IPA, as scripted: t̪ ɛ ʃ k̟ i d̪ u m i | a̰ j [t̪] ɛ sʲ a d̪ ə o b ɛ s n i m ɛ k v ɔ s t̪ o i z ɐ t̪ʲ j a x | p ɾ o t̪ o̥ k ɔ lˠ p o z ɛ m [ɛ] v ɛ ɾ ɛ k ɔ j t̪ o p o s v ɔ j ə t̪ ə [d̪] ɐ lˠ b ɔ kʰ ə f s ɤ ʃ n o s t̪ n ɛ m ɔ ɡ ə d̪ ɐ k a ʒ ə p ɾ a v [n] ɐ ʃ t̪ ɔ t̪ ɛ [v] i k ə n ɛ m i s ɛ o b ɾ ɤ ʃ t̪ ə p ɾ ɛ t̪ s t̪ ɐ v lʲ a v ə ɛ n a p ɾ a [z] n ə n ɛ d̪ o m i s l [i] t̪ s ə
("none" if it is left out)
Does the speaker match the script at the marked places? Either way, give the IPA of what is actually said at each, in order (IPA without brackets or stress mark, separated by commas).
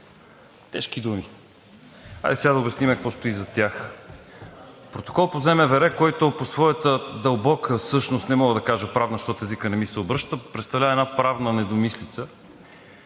d̪, ɛ, d̪, n, z, v, i